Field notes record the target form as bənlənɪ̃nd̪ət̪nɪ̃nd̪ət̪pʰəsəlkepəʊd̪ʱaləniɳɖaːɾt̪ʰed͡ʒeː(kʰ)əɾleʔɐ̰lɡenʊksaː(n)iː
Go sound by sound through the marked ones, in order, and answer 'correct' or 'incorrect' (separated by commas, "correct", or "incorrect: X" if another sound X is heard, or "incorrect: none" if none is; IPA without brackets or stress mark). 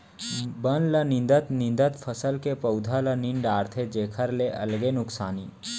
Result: correct, correct